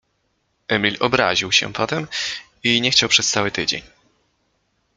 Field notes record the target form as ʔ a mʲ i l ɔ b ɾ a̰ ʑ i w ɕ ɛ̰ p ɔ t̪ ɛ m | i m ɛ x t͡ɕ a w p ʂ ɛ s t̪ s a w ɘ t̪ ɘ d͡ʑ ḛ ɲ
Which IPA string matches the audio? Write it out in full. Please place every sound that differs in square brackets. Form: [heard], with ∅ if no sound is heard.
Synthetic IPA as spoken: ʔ [ɛ] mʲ i l ɔ b ɾ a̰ ʑ i w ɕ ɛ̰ p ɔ t̪ ɛ m | i [ɲ] ɛ x t͡ɕ a w p ʂ ɛ s t̪ s a w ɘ t̪ ɘ d͡ʑ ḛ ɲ